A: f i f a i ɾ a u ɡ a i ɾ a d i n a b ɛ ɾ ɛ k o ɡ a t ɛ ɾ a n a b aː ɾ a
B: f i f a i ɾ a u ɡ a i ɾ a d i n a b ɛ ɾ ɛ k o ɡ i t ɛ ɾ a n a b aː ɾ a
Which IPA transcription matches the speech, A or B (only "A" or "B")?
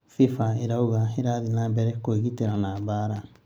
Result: B